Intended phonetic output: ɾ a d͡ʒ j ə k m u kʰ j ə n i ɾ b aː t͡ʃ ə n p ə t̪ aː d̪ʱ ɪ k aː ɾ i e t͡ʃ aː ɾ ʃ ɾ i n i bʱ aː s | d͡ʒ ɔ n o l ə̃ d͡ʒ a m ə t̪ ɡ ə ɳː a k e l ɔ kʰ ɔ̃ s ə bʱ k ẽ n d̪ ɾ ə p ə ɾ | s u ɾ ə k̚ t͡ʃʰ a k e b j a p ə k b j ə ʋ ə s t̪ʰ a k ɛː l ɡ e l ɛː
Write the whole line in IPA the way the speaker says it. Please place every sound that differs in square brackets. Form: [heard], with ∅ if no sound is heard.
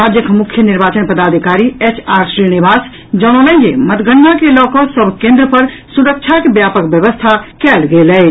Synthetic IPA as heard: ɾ a d͡ʒ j ə k m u kʰ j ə n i ɾ b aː t͡ʃ ə n p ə [d̪] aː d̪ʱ [i] k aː ɾ i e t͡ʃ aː ɾ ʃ ɾ i n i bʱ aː s | d͡ʒ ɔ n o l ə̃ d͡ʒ [e] m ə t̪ ɡ ə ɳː a k e l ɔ [k] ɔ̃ s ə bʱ k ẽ n d̪ ɾ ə p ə ɾ | s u ɾ ə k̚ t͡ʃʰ a k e b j a p ə k b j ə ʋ ə s t̪ʰ a k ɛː l ɡ e l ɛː

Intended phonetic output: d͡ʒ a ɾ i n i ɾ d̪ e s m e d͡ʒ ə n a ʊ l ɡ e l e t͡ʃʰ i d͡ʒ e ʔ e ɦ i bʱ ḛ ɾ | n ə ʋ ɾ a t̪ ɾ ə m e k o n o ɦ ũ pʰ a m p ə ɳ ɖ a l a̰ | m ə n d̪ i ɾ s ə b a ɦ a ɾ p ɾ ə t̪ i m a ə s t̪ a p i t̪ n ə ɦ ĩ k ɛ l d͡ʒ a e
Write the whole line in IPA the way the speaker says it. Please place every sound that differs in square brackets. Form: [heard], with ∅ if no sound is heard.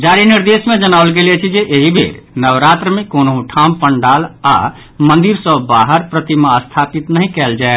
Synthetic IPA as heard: d͡ʒ a ɾ i n i ɾ d̪ e s m e d͡ʒ ə n a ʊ l ɡ e l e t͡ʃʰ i d͡ʒ e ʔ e ɦ i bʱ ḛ ɾ | n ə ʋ ɾ a t̪ ɾ ə m e k o n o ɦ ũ [ʈʰ] a m p ə ɳ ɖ a l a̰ | m ə n d̪ i ɾ s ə b a ɦ [ə] ɾ p ɾ ə t̪ i m a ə s [t̪ʰ] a p i t̪ n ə ɦ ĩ k ɛ l d͡ʒ a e

